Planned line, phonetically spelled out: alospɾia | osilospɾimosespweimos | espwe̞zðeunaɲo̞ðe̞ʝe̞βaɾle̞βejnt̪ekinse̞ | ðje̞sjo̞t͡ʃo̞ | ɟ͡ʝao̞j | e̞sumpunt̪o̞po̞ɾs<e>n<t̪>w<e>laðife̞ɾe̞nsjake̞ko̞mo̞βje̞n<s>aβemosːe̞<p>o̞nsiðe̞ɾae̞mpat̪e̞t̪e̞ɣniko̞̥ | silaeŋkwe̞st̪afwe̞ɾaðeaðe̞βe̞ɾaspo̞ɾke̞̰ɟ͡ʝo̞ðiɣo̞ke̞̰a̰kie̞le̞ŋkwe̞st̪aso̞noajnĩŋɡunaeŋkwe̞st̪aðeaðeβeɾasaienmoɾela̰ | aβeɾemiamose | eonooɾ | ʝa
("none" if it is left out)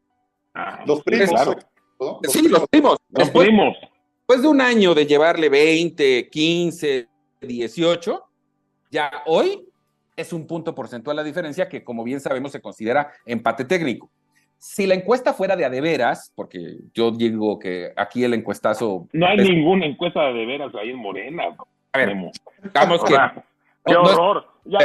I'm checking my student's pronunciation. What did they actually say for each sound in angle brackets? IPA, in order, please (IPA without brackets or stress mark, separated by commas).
e, t̪, a, s, k